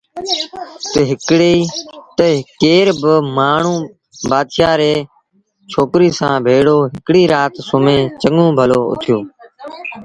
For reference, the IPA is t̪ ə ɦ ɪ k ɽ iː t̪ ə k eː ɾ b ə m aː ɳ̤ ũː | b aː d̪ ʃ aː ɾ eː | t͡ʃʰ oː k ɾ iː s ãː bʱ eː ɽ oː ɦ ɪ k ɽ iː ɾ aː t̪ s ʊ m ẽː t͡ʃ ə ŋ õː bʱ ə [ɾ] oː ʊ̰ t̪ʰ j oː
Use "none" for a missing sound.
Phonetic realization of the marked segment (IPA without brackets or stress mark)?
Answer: l